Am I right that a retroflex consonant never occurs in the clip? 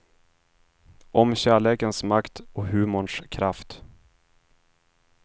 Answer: no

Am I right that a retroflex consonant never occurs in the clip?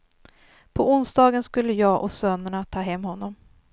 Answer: no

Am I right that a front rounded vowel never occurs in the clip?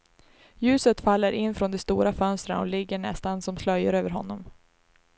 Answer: no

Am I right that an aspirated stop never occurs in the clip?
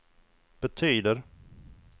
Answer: no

